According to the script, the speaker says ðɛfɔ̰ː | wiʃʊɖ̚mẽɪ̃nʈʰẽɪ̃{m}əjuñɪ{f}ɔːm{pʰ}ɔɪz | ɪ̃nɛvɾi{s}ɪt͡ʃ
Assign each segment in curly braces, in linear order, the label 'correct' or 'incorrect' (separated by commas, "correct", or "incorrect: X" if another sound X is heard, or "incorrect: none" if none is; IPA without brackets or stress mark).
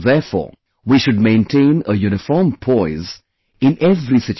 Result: incorrect: n, correct, correct, correct